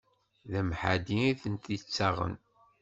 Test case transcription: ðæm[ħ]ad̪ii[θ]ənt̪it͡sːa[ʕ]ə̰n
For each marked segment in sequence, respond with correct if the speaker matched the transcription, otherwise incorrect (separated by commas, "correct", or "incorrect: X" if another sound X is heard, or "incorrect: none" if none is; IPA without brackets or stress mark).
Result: correct, correct, incorrect: ʁ